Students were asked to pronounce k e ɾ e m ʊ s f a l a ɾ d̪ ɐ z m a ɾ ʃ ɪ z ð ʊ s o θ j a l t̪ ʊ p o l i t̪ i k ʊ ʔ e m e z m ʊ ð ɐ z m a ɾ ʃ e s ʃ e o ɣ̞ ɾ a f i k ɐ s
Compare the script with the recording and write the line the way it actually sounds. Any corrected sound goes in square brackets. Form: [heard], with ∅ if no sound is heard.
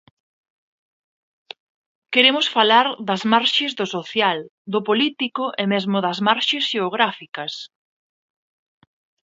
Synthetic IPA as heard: k e ɾ e m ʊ s f a l a ɾ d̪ ɐ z m a ɾ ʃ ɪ z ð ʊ s o θ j a l [d̪] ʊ p o l i t̪ i k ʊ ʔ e m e z m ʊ ð ɐ z m a ɾ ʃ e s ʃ e o ɣ̞ ɾ a f i k ɐ s